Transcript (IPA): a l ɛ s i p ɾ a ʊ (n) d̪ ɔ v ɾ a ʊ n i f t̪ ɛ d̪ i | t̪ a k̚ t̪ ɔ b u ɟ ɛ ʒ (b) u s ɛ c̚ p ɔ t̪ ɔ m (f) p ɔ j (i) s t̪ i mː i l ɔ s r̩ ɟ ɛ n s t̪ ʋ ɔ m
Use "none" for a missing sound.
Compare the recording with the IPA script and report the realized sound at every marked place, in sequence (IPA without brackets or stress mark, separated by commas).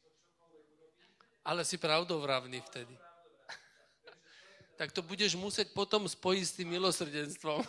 none, m, s, i